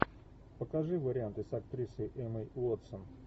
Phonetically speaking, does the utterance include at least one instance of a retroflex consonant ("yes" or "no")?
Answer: yes